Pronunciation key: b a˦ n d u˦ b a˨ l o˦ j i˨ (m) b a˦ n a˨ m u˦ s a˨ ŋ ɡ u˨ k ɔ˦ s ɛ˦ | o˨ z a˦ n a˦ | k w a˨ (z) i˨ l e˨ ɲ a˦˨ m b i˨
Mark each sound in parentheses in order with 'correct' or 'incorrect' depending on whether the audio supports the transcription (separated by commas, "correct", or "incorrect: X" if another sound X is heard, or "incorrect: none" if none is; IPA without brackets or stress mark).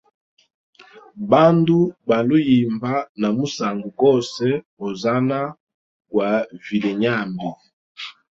correct, incorrect: v